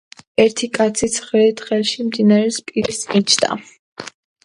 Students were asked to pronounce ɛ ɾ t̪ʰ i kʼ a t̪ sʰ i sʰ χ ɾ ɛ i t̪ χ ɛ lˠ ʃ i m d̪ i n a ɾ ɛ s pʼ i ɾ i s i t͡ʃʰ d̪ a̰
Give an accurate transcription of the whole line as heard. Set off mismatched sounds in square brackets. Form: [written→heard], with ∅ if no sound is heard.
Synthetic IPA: ɛ ɾ t̪ʰ i kʼ a t̪ sʰ i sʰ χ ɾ ɛ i t̪ χ ɛ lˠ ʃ i m d̪ i n a ɾ ɛ s pʼ i ɾ i s i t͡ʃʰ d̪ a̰